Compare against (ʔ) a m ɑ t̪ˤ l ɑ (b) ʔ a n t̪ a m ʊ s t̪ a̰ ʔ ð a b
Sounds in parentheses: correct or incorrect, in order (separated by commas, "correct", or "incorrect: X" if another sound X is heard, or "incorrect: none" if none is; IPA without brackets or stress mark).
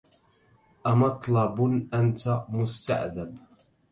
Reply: correct, correct